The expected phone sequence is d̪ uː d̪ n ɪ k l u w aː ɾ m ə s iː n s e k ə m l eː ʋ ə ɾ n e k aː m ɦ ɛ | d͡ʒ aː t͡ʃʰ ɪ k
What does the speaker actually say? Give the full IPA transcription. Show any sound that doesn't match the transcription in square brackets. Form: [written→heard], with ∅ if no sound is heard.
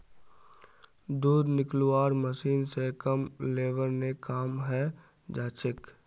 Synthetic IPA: d̪ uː d̪ n ɪ k l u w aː ɾ m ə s iː n s e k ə m l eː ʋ ə ɾ n e k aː m ɦ ɛ | d͡ʒ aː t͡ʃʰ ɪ k